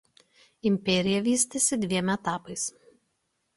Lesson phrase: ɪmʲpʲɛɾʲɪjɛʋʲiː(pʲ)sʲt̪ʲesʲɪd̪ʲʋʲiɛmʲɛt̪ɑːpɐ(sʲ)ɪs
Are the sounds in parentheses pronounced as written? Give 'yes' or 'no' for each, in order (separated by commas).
no, no